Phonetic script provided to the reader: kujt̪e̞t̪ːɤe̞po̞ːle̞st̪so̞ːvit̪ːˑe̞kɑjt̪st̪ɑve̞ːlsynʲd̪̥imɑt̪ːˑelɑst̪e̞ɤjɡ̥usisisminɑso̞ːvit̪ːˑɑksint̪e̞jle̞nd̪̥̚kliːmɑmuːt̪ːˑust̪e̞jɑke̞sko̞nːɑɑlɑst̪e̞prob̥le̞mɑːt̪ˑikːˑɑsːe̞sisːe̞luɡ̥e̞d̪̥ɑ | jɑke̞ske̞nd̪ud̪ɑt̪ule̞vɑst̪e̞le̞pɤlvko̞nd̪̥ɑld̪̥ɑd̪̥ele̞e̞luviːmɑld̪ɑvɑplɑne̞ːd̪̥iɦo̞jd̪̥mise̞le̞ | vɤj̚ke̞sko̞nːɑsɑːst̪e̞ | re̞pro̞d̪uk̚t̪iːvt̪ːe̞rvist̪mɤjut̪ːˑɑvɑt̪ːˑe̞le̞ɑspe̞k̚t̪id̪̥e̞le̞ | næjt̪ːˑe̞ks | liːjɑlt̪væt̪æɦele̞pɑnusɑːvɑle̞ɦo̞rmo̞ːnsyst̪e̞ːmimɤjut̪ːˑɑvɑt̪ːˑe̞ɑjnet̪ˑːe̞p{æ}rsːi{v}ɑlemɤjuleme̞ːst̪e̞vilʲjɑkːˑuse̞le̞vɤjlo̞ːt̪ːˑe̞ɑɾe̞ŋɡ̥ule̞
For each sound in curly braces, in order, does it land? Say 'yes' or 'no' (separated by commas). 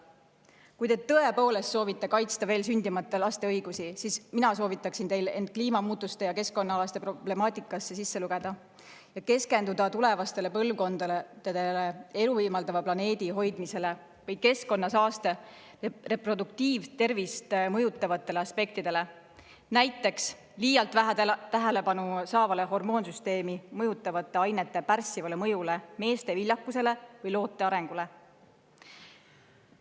yes, yes